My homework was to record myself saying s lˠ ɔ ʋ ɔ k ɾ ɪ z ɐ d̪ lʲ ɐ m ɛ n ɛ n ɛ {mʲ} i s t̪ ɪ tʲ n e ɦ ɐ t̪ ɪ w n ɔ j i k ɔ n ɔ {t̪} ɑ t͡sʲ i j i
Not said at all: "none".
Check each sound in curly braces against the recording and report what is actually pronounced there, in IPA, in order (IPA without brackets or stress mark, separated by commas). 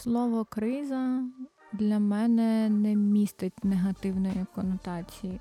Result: mʲ, t̪